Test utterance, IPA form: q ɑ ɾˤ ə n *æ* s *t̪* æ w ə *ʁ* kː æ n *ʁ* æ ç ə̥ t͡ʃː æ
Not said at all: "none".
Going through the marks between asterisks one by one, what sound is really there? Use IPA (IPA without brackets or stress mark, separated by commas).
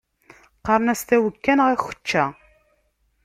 æ, t̪, none, ʁ